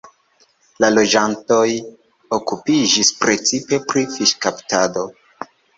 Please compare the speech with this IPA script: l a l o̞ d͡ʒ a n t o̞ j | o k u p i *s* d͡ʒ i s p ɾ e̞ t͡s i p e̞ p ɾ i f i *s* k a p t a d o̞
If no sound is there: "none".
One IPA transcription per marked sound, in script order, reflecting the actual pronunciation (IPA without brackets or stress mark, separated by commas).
none, ʃ